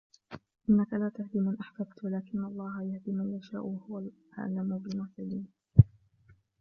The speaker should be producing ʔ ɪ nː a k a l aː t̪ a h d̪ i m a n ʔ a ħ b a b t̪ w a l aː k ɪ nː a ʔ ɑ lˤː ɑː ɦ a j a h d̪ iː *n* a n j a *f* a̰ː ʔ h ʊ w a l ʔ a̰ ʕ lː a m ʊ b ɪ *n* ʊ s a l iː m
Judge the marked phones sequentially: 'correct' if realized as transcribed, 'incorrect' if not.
incorrect, incorrect, incorrect

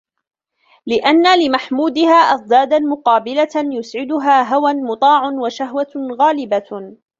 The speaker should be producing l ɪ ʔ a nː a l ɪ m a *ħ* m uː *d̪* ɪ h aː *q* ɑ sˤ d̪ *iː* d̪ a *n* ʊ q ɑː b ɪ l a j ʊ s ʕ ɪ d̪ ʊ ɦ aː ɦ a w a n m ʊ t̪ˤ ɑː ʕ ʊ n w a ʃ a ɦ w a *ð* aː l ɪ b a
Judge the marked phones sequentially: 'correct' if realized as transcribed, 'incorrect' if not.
correct, correct, incorrect, incorrect, incorrect, incorrect

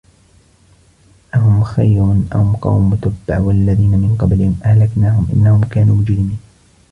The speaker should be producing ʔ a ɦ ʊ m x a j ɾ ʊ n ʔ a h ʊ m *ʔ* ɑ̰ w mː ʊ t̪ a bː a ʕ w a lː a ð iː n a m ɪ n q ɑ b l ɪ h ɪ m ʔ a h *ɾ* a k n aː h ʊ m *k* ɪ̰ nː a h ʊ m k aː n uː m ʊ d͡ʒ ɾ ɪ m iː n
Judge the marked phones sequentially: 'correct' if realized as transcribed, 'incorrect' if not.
incorrect, incorrect, incorrect

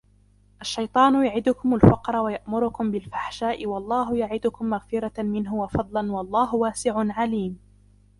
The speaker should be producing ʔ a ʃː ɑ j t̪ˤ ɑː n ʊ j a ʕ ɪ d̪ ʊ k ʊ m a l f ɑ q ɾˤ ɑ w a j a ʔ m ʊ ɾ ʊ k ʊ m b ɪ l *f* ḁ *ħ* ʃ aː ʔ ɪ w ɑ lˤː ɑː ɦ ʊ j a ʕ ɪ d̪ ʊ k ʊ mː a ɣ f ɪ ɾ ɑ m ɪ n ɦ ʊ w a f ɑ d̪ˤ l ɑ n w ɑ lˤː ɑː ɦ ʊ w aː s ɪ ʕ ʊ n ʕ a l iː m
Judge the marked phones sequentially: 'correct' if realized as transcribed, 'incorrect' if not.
correct, correct

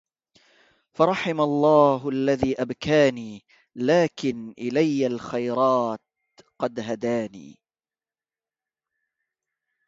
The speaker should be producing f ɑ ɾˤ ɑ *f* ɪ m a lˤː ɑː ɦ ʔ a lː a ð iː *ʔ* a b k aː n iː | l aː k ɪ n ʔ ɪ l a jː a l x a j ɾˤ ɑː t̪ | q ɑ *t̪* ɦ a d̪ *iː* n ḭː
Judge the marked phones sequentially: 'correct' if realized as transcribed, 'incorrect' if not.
incorrect, correct, incorrect, incorrect

